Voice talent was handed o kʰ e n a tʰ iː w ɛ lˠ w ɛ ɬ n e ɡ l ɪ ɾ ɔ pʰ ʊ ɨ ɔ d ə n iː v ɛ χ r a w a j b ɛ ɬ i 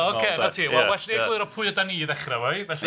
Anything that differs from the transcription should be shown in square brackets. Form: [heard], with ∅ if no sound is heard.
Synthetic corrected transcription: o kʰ e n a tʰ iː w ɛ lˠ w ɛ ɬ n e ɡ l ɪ ɾ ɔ pʰ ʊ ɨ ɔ d [a] n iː [ð] ɛ χ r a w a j [v] ɛ ɬ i